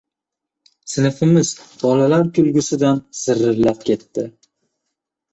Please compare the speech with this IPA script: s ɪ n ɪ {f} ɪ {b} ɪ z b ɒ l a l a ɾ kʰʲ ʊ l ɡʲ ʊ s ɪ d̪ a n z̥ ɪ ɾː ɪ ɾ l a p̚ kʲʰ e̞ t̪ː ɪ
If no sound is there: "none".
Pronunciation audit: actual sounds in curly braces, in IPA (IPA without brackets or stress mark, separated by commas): f, m